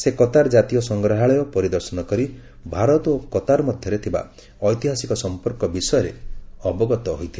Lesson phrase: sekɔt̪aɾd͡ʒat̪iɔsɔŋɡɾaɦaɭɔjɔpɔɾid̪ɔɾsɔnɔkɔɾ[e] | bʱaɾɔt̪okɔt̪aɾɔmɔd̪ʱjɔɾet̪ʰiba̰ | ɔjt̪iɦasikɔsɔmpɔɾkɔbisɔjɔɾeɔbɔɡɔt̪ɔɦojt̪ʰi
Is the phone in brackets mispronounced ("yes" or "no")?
yes